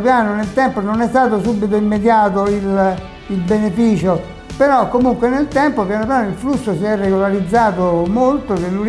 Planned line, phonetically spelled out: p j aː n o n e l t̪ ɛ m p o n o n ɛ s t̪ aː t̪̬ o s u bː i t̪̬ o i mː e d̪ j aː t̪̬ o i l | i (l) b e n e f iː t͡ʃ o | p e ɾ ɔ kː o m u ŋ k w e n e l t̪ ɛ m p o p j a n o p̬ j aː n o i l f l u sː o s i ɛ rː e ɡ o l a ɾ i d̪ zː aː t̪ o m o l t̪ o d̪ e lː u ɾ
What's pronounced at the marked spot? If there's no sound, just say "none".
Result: l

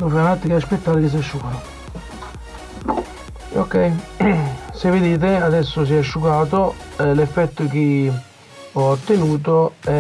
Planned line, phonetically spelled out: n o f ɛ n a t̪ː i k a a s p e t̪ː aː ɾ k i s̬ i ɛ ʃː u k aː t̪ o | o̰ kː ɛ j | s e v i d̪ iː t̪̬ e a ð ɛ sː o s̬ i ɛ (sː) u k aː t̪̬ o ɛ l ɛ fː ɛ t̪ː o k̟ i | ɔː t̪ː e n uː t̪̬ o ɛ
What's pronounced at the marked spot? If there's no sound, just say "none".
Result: ʃː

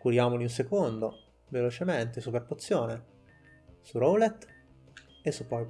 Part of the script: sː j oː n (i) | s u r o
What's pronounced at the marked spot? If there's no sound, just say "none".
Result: e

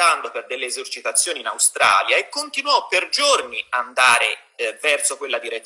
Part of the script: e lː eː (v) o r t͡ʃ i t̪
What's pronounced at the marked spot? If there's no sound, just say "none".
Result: z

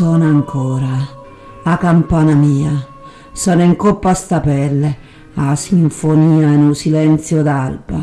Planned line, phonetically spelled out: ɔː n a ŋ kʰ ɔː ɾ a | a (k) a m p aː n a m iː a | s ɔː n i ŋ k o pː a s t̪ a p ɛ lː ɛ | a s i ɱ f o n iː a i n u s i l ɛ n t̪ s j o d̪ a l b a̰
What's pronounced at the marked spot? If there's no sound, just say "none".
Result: k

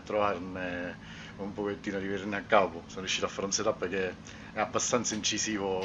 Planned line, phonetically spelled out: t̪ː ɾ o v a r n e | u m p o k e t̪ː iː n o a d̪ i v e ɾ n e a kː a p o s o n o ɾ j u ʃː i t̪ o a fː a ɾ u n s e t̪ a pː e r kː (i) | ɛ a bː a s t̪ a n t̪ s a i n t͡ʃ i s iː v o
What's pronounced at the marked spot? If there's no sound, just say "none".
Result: e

